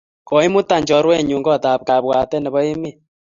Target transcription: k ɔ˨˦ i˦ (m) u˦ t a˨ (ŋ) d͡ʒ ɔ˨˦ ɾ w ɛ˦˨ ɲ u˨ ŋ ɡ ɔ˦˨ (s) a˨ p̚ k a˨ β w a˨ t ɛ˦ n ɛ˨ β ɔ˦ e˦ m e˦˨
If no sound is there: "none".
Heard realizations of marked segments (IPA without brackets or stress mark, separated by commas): m, ɲ, t